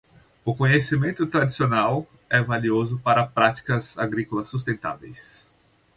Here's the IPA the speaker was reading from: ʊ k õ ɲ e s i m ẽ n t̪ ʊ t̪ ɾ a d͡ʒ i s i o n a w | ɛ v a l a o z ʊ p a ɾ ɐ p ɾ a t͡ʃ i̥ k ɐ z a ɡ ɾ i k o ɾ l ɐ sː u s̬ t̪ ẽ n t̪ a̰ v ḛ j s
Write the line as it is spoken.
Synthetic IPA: ʊ k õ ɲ e s i m ẽ n t̪ ʊ t̪ ɾ a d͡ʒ i s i o n a w | ɛ v a l i o z ʊ p a ɾ ɐ p ɾ a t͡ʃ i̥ k ɐ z a ɡ ɾ i k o l ɐ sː u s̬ t̪ ẽ n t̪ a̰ v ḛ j s